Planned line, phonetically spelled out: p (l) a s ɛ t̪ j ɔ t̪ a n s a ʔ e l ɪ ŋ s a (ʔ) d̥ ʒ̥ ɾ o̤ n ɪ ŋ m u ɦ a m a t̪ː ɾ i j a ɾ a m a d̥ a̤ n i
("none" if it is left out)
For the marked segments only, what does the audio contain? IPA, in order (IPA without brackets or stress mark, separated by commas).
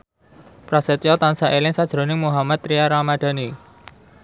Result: ɾ, none